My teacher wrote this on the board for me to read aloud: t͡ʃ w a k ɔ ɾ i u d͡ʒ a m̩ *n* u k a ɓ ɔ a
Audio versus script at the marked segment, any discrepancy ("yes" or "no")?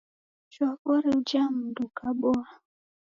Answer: yes